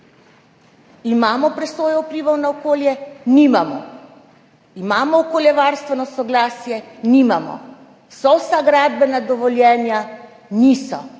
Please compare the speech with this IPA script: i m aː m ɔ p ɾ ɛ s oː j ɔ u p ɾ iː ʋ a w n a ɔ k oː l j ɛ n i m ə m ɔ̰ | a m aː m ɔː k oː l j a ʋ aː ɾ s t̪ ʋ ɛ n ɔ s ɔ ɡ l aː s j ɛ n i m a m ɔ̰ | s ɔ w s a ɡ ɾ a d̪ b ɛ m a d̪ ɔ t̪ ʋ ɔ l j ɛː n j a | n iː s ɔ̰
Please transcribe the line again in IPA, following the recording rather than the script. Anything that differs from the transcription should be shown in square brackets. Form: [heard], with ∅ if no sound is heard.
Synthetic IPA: i m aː m ɔ p ɾ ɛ s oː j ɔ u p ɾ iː ʋ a w n a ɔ k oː l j ɛ n i m [a] m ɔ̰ | [i] m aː m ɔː k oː l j [ɛ] ʋ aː ɾ s t̪ ʋ ɛ n ɔ s ɔ ɡ l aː s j ɛ n i m a m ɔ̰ | s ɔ w s a ɡ ɾ a d̪ b ɛ [n] a d̪ ɔ [∅] ʋ ɔ l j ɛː n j a | n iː s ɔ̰